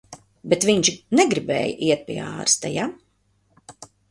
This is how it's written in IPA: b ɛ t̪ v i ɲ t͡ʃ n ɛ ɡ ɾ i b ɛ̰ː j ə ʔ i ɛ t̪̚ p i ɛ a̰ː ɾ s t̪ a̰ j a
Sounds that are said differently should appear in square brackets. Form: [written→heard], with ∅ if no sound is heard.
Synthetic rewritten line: b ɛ t̪ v i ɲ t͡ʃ n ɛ ɡ ɾ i b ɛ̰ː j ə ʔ i ɛ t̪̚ p i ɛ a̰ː ɾ s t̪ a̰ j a